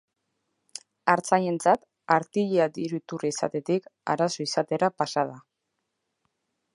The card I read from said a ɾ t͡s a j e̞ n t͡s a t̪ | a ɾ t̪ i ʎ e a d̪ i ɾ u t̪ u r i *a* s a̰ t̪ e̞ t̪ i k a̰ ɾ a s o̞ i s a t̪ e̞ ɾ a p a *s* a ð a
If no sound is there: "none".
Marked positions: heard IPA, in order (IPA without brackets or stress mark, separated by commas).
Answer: i, s